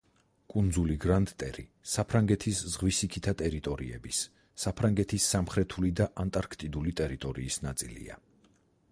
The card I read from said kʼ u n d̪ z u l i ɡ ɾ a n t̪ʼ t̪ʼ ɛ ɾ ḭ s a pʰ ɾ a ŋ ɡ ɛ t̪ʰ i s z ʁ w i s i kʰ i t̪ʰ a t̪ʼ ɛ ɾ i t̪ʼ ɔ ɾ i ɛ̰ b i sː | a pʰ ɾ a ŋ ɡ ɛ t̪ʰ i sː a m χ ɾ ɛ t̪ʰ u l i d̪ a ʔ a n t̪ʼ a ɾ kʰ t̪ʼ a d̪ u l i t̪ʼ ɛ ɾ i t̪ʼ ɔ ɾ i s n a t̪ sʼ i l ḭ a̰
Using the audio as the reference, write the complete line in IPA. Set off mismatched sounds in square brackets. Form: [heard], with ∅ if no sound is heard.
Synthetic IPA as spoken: kʼ u n d̪ z u l i ɡ ɾ a n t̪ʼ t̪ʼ ɛ ɾ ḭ s a pʰ ɾ a ŋ ɡ ɛ t̪ʰ i s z ʁ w i s i kʰ i t̪ʰ a t̪ʼ ɛ ɾ i t̪ʼ ɔ ɾ i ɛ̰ b i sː | a pʰ ɾ a ŋ ɡ ɛ t̪ʰ i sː a m χ ɾ ɛ t̪ʰ u l i d̪ a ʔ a n t̪ʼ a ɾ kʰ t̪ʼ [i] d̪ u l i t̪ʼ ɛ ɾ i t̪ʼ ɔ ɾ [iː] s n a t̪ sʼ i l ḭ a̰